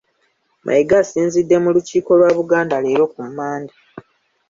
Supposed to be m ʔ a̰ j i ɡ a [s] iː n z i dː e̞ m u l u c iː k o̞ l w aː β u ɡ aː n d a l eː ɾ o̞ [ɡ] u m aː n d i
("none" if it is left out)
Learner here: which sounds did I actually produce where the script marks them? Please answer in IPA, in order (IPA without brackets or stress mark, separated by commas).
s, k